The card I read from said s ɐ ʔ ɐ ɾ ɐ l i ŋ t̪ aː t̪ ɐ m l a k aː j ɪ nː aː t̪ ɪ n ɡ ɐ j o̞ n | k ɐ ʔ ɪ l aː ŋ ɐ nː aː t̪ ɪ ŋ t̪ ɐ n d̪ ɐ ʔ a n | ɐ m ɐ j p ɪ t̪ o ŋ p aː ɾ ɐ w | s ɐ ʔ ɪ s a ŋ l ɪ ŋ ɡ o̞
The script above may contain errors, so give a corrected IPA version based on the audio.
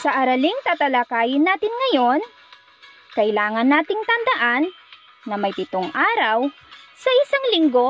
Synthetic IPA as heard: s ɐ ʔ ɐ ɾ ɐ l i ŋ t̪ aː t̪ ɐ l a k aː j ɪ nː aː t̪ ɪ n ŋ ɐ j o̞ n | k ɐ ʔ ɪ l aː ŋ ɐ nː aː t̪ ɪ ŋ t̪ ɐ n d̪ ɐ ʔ a nː | ɐ m ɐ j p ɪ t̪ o ŋ ʔ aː ɾ ɐ w | s ɐ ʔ ɪ s a ŋ l ɪ ŋ ɡ o̞